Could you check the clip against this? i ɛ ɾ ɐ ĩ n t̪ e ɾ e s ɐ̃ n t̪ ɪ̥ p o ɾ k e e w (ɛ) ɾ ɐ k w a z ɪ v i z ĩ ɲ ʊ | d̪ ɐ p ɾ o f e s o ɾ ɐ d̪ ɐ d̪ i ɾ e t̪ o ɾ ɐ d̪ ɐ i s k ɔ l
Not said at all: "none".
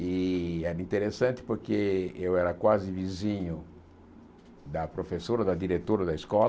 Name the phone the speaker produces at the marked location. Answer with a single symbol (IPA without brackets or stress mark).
ɛ